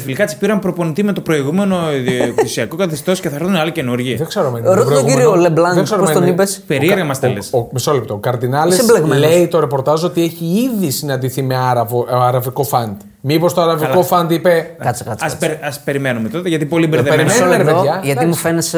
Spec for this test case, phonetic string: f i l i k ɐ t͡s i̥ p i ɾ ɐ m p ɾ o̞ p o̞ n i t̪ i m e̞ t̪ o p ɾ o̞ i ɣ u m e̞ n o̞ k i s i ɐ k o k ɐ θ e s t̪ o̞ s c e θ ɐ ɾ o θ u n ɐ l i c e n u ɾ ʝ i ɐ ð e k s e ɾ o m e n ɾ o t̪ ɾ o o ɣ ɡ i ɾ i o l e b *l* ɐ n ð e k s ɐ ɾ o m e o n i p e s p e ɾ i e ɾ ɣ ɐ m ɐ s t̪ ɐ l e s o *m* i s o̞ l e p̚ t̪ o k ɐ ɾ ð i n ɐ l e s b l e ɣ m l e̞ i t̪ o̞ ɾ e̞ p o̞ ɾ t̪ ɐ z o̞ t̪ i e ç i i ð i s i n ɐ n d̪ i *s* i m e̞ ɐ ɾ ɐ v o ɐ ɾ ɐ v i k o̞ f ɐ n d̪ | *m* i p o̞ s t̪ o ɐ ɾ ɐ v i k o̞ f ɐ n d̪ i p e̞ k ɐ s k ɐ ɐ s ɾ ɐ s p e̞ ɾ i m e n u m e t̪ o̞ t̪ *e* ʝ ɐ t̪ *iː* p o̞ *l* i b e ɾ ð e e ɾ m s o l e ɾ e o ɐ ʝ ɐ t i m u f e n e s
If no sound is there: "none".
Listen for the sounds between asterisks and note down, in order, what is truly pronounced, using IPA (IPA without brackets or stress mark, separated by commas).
l, m, θ, m, e, i, l